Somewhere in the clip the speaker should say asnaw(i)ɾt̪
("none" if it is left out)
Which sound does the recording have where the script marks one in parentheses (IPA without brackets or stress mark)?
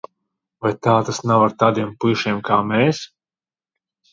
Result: a